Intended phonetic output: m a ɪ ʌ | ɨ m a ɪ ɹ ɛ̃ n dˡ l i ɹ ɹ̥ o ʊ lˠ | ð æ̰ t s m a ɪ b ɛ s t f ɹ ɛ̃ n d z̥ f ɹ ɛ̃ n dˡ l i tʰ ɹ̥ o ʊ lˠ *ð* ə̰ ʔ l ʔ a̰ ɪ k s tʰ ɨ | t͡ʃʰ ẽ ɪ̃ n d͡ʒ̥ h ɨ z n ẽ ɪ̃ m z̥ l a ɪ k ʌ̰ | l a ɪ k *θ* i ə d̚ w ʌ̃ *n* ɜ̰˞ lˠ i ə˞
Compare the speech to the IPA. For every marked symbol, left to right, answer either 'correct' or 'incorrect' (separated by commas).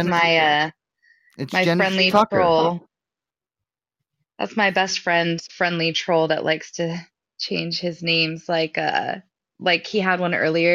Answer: correct, incorrect, correct